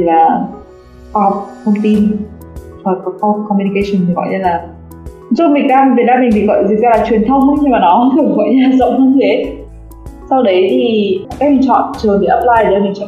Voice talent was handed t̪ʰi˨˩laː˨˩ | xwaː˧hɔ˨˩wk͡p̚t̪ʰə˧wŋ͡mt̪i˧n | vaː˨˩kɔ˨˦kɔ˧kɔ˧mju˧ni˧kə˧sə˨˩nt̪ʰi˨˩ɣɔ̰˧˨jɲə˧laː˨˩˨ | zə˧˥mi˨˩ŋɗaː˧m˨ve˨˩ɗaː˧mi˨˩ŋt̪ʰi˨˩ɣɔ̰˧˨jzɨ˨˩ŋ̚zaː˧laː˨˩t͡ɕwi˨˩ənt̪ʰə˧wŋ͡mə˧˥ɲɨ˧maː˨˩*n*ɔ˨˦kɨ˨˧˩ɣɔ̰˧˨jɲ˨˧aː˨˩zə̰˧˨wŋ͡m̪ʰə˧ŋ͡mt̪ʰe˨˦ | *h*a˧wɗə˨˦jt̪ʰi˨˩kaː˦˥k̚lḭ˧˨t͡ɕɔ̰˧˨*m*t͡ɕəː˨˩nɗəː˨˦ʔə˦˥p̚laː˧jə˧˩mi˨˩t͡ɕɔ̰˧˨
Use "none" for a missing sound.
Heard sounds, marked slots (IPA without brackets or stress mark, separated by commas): n, s, n